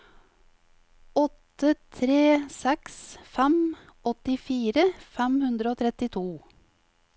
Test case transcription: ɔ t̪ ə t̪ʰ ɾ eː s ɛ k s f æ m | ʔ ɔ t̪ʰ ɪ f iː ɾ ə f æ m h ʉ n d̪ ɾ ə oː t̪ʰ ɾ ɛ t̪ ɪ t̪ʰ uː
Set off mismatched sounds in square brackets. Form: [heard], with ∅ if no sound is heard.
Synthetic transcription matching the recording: ɔ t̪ ə t̪ʰ ɾ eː s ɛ k s f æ m | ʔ ɔ [t̪] ɪ f iː ɾ ə f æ m h ʉ n d̪ ɾ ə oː t̪ʰ ɾ ɛ t̪ ɪ t̪ʰ uː